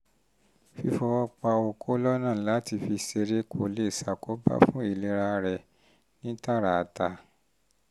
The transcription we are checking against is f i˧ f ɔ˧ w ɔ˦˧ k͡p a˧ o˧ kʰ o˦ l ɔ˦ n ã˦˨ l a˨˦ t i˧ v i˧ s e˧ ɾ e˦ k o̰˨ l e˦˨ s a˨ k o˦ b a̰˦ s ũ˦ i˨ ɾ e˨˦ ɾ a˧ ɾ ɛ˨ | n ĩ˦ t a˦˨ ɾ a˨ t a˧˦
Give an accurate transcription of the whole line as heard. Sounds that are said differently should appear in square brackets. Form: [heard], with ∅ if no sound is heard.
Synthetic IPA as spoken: f i˧ f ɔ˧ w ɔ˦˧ k͡p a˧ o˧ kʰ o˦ l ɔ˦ n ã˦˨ l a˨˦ t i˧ [f] i˧ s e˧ ɾ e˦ k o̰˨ l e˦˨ s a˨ k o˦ b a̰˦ [f] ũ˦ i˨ [l] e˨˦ ɾ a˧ ɾ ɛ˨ | n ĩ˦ t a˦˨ ɾ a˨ t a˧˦